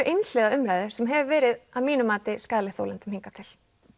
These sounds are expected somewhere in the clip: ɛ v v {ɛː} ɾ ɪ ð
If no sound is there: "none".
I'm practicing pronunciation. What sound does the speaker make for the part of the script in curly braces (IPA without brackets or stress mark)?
ɛː